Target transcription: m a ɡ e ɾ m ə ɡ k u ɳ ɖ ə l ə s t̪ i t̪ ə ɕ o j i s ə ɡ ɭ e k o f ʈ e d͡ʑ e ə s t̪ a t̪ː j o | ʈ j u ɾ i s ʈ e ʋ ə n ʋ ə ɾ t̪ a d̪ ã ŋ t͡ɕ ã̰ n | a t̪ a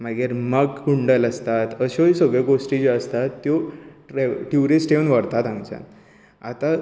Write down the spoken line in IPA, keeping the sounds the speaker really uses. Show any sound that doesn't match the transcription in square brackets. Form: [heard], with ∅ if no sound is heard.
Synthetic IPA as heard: m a ɡ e ɾ m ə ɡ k u ɳ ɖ ə l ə s t̪ [a] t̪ ə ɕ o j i s ə ɡ ɭ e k o [s] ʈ [i] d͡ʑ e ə s t̪ a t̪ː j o | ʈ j u ɾ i s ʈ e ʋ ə n ʋ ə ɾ t̪ a [t̪] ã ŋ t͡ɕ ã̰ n | a t̪ a